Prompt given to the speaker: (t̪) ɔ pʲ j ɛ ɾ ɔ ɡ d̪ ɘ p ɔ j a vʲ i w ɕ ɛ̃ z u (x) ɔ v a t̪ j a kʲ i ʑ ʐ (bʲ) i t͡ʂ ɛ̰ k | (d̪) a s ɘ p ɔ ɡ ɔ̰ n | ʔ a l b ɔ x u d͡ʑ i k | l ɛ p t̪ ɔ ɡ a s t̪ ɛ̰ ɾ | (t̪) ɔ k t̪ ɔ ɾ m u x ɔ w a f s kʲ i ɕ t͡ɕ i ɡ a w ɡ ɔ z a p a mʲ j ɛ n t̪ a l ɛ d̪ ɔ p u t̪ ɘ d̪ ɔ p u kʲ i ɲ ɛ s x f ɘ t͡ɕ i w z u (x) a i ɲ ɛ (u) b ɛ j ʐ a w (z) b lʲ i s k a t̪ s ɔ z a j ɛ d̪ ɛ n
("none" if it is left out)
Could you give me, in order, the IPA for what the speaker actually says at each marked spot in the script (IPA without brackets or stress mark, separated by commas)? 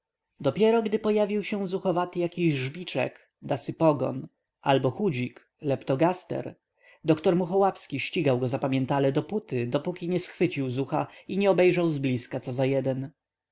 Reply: d̪, x, bʲ, d̪, d̪, x, ɔ, z